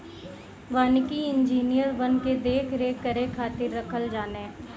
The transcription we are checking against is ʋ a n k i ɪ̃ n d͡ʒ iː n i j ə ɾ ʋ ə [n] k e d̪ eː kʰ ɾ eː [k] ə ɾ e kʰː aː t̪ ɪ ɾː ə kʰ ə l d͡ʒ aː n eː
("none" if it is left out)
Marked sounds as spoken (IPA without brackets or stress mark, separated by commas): n, k